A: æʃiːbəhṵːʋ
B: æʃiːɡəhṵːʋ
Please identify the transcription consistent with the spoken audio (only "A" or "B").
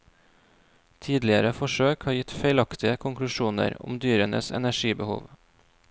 A